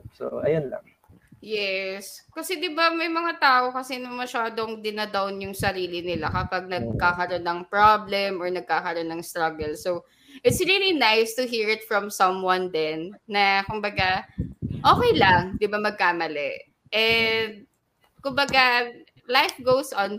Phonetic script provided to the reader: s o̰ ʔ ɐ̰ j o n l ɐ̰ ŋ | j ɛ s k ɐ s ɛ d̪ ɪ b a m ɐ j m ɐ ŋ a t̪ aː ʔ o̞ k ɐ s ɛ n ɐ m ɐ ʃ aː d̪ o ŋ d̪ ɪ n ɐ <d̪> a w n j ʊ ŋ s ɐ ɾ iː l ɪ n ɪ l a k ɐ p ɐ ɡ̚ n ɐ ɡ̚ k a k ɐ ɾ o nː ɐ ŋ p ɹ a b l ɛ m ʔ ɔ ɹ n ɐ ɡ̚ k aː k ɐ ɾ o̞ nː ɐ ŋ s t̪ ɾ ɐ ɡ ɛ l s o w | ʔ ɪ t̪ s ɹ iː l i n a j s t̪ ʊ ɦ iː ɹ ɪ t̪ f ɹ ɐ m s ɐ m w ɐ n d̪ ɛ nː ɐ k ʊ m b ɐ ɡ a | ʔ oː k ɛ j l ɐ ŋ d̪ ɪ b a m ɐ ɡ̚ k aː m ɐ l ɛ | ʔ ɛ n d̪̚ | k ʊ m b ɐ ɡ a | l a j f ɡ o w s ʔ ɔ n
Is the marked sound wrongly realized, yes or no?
no